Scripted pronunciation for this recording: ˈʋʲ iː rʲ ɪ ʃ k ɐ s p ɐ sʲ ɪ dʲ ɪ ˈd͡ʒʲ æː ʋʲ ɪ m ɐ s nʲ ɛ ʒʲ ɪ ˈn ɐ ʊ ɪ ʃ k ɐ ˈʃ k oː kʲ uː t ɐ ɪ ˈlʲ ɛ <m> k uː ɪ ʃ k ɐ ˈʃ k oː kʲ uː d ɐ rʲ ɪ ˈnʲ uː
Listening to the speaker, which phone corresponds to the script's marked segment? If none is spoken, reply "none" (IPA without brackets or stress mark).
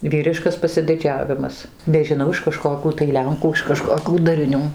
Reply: ŋ